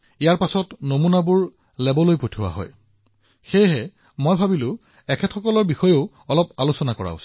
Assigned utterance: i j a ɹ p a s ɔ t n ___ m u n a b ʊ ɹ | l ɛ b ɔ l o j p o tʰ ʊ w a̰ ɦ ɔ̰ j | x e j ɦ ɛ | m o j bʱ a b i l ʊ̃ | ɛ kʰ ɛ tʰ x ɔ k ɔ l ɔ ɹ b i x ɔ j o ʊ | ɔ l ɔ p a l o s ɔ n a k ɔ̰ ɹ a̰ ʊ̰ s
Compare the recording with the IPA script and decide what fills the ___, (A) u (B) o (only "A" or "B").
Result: B